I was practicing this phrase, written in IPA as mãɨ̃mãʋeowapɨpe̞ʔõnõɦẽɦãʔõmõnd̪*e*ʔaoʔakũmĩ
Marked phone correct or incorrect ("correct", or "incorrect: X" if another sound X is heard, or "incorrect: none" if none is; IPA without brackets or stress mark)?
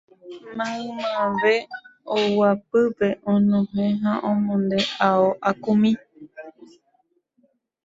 correct